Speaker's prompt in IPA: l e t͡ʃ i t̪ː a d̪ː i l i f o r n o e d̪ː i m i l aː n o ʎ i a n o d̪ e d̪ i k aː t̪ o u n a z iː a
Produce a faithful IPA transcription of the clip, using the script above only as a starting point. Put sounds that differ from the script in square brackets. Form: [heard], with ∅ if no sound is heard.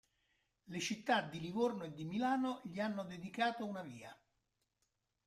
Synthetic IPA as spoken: l e t͡ʃ i t̪ː a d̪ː i l i [v] o r n o e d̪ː i m i l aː n o ʎ i a [nː] o d̪ e d̪ i k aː t̪ o u n a [v] iː a